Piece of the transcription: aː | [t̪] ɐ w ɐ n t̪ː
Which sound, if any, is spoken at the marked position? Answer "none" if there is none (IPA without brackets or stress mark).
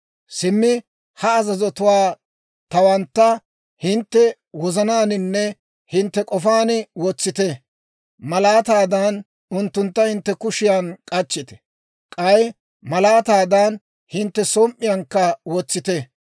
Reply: t̪